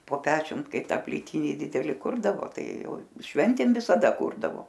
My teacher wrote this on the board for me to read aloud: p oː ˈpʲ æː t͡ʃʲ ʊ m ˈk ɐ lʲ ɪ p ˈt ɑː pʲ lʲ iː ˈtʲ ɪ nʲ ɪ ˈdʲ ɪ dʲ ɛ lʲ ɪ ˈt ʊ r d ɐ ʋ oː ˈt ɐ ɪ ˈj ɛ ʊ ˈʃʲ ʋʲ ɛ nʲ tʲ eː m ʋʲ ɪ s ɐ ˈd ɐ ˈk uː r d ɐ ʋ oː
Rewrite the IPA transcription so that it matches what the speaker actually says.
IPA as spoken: p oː ˈpʲ æː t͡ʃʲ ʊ m ˈk ɐ ɪ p ˈt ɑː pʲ lʲ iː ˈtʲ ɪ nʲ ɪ ˈdʲ ɪ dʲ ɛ lʲ ɪ ˈk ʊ r d ɐ ʋ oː ˈt ɐ ɪ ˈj ɛ ʊ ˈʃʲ ʋʲ ɛ nʲ tʲ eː m ʋʲ ɪ s ɐ ˈd ɐ ˈk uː r d ɐ ʋ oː